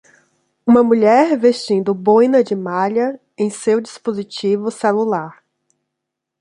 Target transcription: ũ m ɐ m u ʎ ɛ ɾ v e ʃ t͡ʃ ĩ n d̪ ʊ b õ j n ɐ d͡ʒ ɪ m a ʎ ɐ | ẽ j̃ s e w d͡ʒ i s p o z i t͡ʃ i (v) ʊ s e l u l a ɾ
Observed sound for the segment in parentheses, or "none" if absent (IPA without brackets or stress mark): v